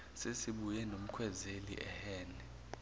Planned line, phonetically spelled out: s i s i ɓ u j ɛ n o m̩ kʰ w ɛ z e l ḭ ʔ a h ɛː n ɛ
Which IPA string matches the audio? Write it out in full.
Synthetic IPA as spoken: s e s i ɓ u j ɛ n o m̩ kʰ w ɛ z e l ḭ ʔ ɛ h ɛː n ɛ